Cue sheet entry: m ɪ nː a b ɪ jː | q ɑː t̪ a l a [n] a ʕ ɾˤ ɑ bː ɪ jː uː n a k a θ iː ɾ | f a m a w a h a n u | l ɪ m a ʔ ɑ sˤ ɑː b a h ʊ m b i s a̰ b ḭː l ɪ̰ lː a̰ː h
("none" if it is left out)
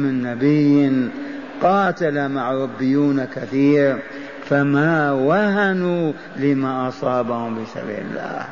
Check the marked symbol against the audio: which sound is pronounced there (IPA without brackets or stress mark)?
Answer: m